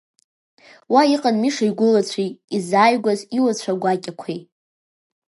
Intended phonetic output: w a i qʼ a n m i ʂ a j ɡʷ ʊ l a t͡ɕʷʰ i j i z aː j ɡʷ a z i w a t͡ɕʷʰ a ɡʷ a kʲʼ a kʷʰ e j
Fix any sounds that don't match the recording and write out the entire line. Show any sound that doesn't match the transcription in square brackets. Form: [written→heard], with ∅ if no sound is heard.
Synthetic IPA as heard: w a i qʼ a n m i ʂ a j ɡʷ ʊ l a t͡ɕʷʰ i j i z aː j ɡʷ a z i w a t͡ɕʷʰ a ɡʷ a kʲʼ a kʷʰ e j